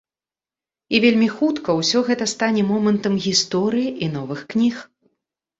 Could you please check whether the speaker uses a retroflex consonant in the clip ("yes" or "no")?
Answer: no